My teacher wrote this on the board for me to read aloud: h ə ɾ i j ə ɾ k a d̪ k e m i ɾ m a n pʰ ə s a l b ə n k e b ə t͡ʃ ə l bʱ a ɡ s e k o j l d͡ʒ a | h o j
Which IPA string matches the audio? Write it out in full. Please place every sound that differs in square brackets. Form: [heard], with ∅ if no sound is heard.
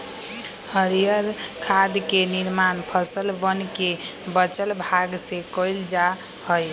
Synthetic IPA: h ə ɾ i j ə ɾ [kʰ] a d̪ k e [n] i ɾ m a n pʰ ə s [ə] l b ə n k e b ə t͡ʃ ə l bʱ a ɡ s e k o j l d͡ʒ a | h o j